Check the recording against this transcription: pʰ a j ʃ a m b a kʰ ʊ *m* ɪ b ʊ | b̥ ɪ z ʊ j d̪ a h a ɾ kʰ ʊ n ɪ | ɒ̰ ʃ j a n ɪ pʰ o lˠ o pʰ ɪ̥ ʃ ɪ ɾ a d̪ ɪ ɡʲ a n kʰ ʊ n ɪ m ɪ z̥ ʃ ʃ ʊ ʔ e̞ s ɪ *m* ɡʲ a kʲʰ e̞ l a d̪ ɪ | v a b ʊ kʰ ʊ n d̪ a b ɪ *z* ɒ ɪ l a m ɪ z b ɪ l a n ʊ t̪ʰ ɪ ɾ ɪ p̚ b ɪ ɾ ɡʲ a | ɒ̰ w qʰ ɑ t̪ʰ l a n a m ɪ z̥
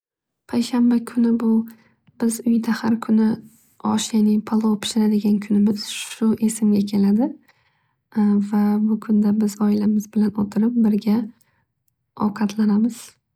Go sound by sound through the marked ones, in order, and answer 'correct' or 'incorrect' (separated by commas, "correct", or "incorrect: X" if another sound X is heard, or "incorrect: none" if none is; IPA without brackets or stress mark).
incorrect: n, correct, correct